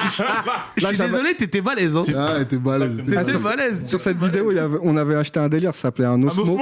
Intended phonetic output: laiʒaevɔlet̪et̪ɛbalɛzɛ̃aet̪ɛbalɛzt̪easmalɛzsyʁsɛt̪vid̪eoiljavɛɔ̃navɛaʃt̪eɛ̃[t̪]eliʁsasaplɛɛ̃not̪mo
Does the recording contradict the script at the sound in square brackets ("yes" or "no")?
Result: yes